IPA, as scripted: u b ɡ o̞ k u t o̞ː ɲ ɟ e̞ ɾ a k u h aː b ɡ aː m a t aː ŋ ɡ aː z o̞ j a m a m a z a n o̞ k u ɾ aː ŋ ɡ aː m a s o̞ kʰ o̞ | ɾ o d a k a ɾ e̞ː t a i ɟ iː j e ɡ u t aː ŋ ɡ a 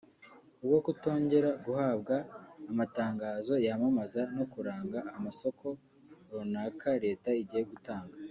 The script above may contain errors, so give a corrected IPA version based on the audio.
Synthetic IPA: u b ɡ o̞ k u t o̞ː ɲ ɟ e̞ ɾ a ɡ u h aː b ɡ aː m a t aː ŋ ɡ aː z o̞ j a m a m a z a n o̞ k u ɾ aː ŋ ɡ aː m a s o̞ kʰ o̞ | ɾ o n a k a ɾ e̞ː t a i ɟ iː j e ɡ u t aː ŋ ɡ a